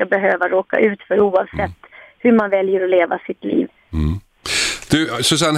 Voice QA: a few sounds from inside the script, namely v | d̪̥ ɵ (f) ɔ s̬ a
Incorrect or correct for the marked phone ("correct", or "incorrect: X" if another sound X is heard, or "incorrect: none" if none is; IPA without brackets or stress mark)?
incorrect: s